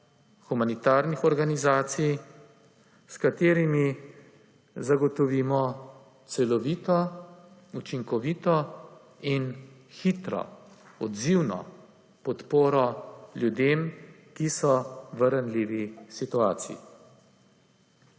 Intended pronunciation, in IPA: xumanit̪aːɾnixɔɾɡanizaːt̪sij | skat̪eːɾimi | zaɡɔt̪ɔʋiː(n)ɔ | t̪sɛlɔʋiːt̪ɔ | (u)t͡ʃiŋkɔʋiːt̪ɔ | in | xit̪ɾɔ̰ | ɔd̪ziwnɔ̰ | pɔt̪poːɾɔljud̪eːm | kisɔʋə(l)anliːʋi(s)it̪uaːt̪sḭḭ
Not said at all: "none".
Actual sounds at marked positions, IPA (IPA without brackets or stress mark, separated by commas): m, u, ɾ, s